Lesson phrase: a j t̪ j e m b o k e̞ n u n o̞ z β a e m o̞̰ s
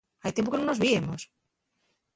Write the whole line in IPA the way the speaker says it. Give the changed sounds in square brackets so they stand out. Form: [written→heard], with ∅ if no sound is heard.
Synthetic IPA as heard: a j t̪ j e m [b→p] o k e̞ n [u→o] n o̞ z β [a→i] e m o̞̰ s